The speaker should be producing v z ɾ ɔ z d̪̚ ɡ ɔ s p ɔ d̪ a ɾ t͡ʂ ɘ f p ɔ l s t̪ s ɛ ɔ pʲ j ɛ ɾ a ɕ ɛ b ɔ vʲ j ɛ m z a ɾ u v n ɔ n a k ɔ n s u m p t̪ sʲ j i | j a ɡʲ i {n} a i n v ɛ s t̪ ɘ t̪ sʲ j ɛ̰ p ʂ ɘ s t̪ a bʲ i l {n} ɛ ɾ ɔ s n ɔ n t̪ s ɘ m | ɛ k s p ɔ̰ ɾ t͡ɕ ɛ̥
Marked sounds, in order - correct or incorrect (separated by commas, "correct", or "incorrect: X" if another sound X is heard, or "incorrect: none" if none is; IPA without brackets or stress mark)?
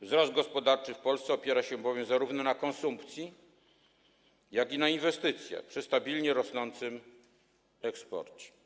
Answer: correct, incorrect: ɲ